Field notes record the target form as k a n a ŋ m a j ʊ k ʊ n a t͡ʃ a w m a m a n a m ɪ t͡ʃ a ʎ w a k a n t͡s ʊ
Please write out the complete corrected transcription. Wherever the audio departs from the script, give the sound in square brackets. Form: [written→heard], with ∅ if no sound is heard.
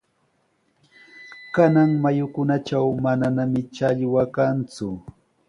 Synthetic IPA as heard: k a n a ŋ m a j ʊ k ʊ n a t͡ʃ a w m a [m→n] a n a m ɪ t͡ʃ a ʎ w a k a n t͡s ʊ

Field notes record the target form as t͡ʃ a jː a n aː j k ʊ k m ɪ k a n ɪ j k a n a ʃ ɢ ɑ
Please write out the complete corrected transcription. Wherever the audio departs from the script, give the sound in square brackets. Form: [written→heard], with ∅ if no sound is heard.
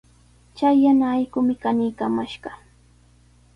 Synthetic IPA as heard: t͡ʃ a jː a n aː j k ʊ [k→∅] m ɪ k a n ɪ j k a [n→m] a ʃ ɢ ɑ

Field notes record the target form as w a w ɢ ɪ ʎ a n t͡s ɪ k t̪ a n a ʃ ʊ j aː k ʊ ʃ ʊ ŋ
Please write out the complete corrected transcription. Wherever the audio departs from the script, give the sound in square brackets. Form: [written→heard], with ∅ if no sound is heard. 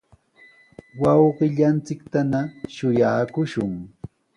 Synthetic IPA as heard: w [a→ɑ] w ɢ ɪ ʎ a n t͡s ɪ k t̪ a n a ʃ ʊ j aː k ʊ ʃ ʊ ŋ

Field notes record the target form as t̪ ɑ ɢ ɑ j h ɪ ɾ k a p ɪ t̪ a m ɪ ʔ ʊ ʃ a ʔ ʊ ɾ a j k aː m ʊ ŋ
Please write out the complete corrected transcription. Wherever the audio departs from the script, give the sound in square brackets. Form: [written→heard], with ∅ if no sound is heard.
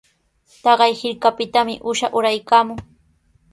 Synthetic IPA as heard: t̪ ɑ ɢ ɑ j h ɪ ɾ k a p ɪ t̪ a m ɪ ʔ ʊ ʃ a ʔ ʊ ɾ a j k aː m ʊ ŋ

